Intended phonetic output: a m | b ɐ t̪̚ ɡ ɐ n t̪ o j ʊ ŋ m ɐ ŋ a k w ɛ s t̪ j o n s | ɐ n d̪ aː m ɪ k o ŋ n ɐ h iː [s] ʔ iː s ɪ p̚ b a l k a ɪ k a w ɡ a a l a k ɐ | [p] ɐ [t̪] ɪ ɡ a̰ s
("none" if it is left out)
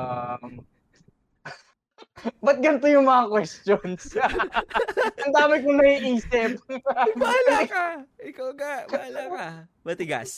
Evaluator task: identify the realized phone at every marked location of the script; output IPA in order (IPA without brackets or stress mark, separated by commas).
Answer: none, b, t̪